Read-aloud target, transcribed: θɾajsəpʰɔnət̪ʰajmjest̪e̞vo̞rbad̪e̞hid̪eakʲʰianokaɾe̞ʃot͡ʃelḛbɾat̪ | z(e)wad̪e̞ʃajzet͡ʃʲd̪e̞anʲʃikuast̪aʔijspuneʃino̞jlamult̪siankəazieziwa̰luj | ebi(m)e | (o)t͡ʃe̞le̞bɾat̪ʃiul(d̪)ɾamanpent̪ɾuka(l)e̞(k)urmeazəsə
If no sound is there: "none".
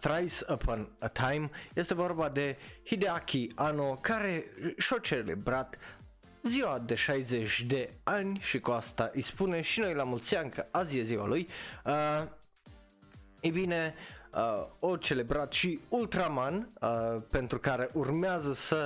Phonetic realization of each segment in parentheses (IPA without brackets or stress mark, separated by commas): i, n, o, t̪, ɾ, ʔ